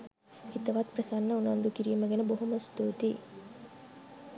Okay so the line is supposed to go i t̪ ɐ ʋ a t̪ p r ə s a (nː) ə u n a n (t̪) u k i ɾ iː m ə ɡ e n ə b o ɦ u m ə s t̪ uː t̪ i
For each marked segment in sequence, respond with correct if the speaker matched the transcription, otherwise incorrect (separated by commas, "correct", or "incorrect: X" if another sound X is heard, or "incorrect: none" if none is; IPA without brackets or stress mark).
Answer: correct, incorrect: d̪